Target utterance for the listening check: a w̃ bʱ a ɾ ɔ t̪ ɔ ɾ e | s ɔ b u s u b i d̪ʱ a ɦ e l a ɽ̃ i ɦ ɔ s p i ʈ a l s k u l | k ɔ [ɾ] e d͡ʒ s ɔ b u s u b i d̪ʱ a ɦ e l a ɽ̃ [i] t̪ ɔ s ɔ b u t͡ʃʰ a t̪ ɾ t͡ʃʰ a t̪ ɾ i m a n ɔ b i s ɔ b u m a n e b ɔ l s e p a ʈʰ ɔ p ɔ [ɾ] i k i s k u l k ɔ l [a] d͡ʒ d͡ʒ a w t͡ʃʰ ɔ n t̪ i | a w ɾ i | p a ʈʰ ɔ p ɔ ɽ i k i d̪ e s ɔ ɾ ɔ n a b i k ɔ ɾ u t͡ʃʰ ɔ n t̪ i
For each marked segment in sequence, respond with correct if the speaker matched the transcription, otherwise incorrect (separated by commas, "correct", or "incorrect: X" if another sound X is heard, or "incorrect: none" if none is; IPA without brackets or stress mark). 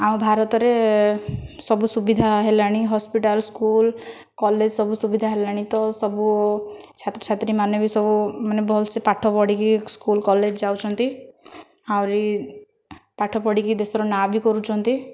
incorrect: l, correct, incorrect: ɽ, incorrect: e